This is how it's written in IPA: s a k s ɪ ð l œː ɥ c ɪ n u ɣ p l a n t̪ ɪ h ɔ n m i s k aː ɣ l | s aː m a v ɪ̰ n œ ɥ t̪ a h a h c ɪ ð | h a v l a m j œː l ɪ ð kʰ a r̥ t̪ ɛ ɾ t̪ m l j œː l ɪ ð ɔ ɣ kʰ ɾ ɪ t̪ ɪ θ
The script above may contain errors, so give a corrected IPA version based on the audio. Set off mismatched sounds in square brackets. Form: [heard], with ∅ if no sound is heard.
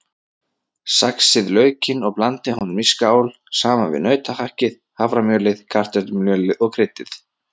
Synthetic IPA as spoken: s a k s ɪ ð l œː ɥ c ɪ n [ɔ] ɣ p l a n t̪ ɪ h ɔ n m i s k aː [w] l | s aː m a v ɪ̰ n œ ɥ t̪ a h a h c ɪ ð | h a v [ɾ] a m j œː l ɪ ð kʰ a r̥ t̪ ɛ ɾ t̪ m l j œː l ɪ ð ɔ ɣ kʰ ɾ ɪ t̪ ɪ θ